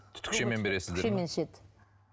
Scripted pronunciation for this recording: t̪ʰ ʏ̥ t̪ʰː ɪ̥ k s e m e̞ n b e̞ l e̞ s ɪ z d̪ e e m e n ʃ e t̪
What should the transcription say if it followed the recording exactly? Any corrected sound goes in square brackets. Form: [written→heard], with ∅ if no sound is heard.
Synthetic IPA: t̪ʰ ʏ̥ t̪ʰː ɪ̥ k [s→ʃ] e m e̞ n b e̞ [l→ɾ] e̞ s ɪ z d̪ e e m e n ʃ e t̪